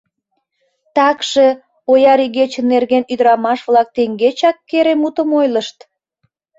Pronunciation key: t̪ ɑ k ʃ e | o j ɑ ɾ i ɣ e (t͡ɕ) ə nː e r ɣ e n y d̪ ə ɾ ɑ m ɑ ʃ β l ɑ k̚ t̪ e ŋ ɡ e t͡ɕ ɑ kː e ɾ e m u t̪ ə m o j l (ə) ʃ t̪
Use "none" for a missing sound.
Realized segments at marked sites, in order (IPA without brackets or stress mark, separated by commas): t͡ɕ, ə